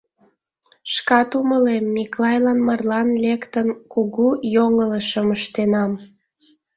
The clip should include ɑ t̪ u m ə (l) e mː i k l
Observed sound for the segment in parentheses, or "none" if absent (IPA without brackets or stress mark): l